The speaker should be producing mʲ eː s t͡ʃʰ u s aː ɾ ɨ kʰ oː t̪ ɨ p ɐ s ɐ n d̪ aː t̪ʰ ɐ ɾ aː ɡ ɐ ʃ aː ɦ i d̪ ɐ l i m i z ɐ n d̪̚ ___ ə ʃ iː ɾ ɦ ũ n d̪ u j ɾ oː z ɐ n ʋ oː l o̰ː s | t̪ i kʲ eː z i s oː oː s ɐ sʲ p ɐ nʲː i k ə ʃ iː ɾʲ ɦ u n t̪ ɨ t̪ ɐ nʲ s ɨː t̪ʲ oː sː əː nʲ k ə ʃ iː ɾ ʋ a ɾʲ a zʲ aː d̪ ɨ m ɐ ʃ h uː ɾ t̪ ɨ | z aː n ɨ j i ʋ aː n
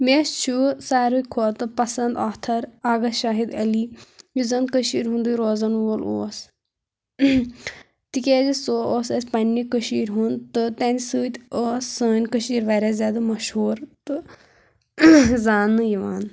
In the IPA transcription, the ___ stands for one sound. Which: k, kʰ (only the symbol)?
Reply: k